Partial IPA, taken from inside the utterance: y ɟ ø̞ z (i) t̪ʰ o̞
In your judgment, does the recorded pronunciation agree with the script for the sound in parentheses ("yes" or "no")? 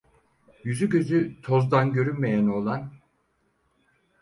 no